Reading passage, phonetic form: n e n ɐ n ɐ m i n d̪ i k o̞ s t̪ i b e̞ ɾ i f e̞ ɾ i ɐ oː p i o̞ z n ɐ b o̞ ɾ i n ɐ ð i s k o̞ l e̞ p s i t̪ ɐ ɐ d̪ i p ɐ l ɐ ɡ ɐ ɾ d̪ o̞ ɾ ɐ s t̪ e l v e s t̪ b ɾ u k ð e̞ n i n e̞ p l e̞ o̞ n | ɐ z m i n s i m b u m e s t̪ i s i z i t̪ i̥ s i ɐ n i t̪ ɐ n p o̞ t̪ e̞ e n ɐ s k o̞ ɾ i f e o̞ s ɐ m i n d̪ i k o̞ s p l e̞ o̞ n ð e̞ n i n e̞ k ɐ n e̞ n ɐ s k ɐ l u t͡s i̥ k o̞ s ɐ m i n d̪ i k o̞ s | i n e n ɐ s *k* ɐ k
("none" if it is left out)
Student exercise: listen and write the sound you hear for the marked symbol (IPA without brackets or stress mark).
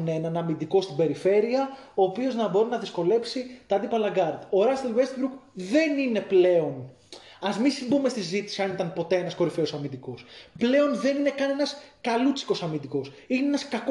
k